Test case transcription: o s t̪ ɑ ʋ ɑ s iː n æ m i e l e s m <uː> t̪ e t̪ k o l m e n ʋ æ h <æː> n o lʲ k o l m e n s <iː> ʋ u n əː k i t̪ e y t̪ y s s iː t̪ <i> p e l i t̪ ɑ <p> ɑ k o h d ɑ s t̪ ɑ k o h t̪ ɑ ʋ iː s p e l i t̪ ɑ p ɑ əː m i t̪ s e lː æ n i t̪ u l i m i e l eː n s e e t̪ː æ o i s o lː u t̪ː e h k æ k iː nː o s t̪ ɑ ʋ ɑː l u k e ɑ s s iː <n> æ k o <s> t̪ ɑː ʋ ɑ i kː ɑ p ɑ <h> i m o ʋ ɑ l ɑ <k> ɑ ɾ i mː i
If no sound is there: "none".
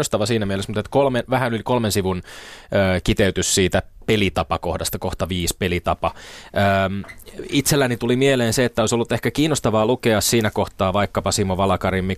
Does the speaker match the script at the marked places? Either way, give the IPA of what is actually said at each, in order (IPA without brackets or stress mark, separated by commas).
u, æ, i, æ, p, n, h, s, k